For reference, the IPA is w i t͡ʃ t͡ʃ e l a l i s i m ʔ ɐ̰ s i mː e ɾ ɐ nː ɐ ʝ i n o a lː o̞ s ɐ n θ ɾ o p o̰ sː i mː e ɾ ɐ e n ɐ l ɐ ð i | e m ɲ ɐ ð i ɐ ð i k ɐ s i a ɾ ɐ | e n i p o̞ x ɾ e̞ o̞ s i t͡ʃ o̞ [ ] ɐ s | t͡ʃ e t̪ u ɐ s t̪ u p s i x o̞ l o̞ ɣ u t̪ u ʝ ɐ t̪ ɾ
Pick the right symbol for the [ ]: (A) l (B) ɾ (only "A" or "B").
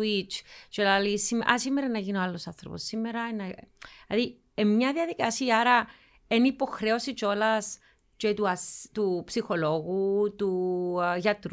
A